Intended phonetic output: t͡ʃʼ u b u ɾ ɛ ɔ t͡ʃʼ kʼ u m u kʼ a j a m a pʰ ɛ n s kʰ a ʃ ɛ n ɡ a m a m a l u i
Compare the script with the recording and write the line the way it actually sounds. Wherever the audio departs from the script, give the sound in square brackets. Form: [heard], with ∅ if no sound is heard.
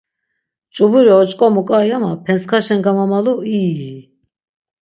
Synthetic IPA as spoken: t͡ʃʼ u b u ɾ [i] ɔ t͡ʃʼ kʼ [ɔ] m u kʼ a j a m a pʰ ɛ n s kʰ a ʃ ɛ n ɡ a m a m a l u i